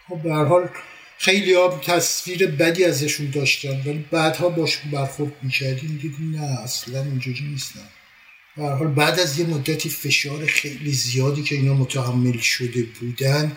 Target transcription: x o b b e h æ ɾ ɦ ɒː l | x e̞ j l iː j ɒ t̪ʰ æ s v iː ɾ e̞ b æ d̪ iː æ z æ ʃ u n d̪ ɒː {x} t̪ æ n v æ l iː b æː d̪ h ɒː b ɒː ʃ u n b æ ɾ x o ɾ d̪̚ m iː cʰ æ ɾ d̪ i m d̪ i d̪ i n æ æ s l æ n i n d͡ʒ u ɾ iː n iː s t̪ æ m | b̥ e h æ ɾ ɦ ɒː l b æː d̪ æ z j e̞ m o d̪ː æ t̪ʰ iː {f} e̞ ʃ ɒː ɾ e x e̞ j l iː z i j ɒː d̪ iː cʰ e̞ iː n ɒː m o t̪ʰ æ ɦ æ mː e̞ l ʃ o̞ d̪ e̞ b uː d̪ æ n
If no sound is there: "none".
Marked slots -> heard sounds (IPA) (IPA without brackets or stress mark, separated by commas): ʃ, f